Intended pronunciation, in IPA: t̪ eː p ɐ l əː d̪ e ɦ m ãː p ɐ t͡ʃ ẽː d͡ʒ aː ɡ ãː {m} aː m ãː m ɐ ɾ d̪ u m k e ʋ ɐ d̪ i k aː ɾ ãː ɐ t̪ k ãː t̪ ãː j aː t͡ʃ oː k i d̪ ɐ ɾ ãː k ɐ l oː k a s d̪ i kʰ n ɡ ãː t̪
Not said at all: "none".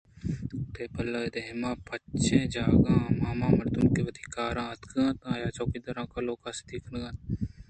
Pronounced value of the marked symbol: m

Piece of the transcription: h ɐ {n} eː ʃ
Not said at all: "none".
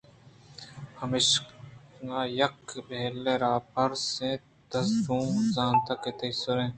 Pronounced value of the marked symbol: m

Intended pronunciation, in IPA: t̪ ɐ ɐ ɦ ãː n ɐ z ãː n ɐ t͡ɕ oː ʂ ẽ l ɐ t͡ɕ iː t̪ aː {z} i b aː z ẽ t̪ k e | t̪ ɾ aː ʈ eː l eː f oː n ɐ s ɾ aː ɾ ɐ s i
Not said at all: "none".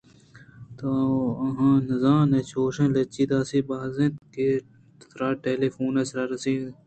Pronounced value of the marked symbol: s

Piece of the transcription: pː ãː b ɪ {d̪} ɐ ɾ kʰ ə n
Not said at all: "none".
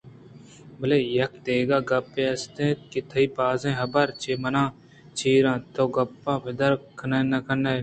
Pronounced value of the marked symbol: d̪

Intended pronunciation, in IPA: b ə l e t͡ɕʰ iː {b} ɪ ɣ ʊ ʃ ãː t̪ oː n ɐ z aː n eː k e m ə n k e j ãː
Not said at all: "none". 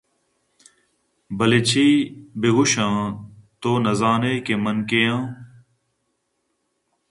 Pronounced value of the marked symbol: b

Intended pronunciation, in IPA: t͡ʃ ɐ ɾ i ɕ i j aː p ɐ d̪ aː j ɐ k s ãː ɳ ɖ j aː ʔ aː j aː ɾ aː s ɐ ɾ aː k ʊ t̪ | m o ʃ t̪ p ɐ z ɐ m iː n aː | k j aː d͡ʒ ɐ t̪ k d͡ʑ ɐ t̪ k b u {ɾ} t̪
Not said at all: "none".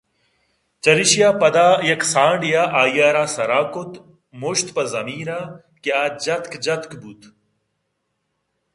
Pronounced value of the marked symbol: none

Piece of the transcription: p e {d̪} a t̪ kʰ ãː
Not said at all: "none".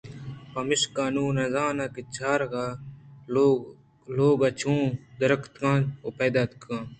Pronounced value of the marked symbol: d̪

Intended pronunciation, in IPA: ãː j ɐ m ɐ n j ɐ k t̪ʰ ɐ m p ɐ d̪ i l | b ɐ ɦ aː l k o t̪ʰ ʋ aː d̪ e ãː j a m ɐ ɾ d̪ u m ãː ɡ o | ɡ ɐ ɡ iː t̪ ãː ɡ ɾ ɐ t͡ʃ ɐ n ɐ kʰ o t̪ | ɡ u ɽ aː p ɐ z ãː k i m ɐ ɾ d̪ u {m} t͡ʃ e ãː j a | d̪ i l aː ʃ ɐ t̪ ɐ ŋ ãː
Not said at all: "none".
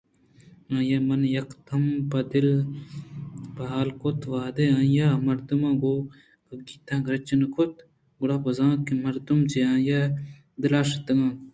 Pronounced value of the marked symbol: m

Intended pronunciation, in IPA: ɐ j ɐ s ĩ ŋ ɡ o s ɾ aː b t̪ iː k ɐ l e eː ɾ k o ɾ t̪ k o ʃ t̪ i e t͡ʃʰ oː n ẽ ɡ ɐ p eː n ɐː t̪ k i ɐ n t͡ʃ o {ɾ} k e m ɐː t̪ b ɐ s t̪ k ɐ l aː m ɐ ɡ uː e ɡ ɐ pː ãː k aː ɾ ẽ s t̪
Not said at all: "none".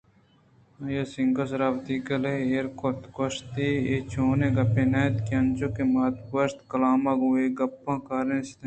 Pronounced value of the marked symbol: none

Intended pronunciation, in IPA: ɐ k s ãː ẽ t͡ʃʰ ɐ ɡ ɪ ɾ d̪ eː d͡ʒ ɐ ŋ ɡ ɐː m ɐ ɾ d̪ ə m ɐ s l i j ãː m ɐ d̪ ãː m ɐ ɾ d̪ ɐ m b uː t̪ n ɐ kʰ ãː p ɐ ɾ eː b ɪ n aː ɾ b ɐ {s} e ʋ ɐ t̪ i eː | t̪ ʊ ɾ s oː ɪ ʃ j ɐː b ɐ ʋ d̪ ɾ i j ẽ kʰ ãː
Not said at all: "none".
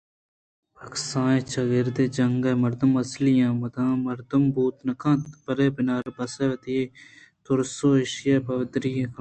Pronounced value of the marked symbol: s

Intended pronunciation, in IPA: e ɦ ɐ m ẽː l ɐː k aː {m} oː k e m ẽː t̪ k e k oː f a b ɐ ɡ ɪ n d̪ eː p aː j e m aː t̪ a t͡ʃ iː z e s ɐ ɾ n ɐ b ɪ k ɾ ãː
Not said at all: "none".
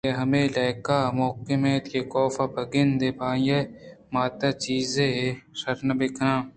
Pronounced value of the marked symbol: m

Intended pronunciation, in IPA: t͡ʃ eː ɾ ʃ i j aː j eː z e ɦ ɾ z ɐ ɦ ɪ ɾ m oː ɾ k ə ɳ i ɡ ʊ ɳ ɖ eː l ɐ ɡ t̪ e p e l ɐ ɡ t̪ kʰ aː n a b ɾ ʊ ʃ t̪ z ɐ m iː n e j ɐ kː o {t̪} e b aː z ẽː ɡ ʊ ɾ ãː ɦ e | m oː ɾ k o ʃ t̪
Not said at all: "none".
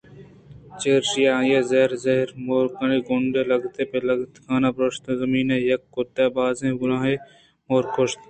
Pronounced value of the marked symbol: t̪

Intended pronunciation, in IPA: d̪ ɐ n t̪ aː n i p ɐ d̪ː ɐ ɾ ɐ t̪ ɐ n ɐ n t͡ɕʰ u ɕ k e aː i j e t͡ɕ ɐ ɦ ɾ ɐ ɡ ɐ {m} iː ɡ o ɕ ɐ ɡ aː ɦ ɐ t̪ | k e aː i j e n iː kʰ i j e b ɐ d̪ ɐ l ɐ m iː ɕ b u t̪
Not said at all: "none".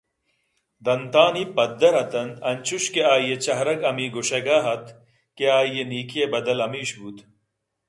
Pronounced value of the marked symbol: m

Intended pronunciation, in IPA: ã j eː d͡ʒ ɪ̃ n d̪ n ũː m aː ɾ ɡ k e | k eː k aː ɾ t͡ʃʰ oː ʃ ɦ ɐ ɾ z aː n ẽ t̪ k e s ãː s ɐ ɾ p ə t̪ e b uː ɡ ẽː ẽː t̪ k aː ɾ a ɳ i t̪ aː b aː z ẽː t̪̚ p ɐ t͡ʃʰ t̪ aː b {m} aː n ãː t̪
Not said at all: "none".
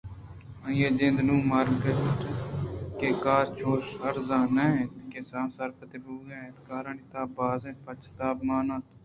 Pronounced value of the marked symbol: m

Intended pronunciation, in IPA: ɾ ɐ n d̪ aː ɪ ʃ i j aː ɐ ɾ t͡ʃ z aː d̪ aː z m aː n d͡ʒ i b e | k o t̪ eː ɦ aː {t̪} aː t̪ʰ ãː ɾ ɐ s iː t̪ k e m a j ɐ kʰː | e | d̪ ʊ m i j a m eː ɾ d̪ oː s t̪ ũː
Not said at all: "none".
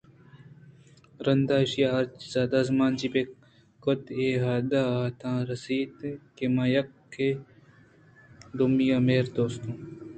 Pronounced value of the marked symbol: d̪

